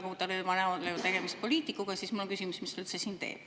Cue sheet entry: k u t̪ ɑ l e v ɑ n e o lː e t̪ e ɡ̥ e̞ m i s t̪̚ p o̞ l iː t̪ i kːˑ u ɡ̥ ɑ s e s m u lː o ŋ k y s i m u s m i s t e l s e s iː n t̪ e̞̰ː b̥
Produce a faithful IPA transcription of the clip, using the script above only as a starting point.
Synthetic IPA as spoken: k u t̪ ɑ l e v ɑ n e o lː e t̪ e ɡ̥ e̞ m i s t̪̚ p o̞ l iː t̪ i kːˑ u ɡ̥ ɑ s i s m u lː o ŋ k y s i m u s m i s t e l s e s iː n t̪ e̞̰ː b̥